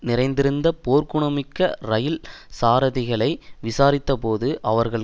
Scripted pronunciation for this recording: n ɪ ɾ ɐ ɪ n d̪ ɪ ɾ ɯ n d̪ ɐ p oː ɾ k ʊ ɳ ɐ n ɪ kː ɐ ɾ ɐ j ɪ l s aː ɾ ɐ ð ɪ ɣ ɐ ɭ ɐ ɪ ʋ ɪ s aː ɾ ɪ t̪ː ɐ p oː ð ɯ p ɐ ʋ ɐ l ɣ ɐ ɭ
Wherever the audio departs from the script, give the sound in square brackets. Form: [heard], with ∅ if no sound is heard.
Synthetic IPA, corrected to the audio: n ɪ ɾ ɐ ɪ n d̪ ɪ ɾ ɯ n d̪ ɐ p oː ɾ k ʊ ɳ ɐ [m] ɪ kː ɐ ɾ ɐ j ɪ l s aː ɾ ɐ ð ɪ ɣ ɐ ɭ ɐ ɪ ʋ ɪ s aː ɾ ɪ t̪ː ɐ p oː ð ɯ [ʔ] ɐ ʋ ɐ [ɾ] ɣ ɐ ɭ